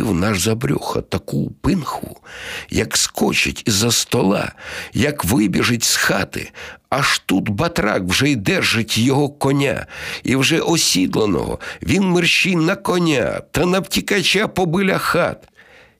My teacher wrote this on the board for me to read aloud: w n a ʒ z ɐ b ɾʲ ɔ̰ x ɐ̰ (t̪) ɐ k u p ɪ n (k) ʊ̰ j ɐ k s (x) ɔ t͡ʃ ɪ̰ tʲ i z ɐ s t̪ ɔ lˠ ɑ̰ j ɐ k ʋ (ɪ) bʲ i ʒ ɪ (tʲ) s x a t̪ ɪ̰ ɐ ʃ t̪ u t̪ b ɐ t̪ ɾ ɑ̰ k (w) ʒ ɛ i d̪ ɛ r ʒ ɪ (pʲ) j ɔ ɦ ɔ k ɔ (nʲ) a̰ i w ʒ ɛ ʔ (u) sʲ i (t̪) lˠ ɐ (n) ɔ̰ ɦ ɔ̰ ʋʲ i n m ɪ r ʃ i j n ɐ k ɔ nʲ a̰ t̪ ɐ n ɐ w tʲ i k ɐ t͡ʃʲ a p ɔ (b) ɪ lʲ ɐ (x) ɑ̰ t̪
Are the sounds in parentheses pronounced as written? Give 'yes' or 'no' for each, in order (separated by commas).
yes, no, no, yes, yes, yes, no, yes, no, no, yes, yes, yes